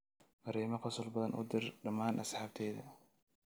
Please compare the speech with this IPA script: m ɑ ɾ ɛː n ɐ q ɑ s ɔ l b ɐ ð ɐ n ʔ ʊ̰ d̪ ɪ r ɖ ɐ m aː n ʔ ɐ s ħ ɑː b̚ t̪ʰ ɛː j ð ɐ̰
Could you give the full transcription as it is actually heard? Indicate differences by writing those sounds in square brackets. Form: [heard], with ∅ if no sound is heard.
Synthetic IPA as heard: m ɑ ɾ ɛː [m] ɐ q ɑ s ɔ l b ɐ ð ɐ n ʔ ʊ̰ d̪ ɪ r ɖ ɐ m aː n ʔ ɐ s ħ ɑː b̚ t̪ʰ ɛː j ð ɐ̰

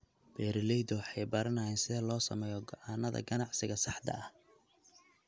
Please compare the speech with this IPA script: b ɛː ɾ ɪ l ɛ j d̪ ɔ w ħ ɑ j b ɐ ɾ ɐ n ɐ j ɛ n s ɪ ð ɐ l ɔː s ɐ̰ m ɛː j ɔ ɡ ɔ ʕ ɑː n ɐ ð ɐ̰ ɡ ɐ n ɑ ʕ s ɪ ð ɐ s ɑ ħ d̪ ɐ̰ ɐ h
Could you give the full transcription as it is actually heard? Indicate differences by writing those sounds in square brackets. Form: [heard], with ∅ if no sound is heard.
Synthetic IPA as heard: b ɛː ɾ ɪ l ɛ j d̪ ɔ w ħ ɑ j b ɐ ɾ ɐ n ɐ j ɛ n s ɪ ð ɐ l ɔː s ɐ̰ m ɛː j ɔ ɡ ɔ ʕ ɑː n ɐ ð ɐ̰ ɡ ɐ n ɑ ʕ s ɪ [ɣ] ɐ s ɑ ħ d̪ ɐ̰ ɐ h

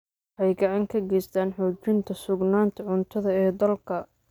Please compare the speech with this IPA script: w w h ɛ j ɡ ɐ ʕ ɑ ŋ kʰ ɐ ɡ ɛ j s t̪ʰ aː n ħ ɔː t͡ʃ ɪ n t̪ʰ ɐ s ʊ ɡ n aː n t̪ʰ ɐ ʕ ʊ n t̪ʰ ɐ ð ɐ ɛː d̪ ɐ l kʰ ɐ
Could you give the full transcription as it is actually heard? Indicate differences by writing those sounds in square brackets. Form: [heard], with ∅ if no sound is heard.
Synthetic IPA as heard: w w [ħ] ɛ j ɡ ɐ ʕ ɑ ŋ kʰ ɐ ɡ ɛ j s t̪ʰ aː n ħ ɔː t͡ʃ ɪ n t̪ʰ ɐ s ʊ ɡ n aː n t̪ʰ ɐ ʕ ʊ n t̪ʰ ɐ ð ɐ ɛː d̪ ɐ l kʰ ɐ

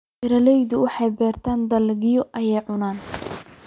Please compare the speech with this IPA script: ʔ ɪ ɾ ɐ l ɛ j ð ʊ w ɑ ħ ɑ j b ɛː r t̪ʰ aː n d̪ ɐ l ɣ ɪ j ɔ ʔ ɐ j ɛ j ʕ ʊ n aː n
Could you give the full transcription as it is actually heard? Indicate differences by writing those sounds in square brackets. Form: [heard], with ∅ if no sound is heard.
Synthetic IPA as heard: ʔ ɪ ɾ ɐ l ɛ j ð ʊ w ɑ ħ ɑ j b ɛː r t̪ʰ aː n d̪ ɐ l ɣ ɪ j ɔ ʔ ɐ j ɛ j ʕ ʊ n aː n

